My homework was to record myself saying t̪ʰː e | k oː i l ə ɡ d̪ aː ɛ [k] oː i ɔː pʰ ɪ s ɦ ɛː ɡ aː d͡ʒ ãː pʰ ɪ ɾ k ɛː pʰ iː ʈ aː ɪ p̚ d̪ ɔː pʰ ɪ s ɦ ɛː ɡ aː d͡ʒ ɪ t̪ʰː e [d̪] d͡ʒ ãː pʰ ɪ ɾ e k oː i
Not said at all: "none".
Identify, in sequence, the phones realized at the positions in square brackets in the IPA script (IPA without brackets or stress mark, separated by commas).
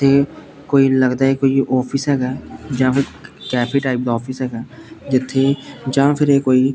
k, none